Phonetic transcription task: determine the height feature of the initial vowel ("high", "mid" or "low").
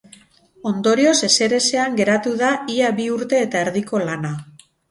mid